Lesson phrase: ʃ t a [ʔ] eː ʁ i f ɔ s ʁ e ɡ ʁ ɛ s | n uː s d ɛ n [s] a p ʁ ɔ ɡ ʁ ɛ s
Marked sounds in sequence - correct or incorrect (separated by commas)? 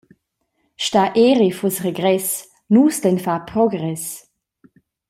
correct, incorrect